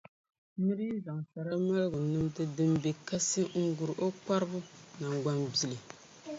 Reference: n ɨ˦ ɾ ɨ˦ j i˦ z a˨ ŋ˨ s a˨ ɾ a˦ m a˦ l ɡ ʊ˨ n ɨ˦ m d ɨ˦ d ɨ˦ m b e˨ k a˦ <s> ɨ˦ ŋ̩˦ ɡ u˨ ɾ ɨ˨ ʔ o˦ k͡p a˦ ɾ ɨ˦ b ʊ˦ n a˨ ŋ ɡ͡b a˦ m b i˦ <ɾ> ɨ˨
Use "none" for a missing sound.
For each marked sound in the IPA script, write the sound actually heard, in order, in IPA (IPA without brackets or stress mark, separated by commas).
s, l